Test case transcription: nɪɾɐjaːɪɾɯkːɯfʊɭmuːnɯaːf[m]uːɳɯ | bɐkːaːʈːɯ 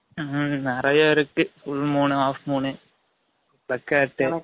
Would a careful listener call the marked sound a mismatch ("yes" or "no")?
no